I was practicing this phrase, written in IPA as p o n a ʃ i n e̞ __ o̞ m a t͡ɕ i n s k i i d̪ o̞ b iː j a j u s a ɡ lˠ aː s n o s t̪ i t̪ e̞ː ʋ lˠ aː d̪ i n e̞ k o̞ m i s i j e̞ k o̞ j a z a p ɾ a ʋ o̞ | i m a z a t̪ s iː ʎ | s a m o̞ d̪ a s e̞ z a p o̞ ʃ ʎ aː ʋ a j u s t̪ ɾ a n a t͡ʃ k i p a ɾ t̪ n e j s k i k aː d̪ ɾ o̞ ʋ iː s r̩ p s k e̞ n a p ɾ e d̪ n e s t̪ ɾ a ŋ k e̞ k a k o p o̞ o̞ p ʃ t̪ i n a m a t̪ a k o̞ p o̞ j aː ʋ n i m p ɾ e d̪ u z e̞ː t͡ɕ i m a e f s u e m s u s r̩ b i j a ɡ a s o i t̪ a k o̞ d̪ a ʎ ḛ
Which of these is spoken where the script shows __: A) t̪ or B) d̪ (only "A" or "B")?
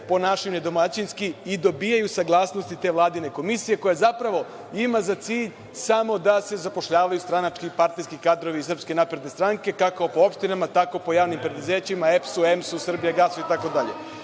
B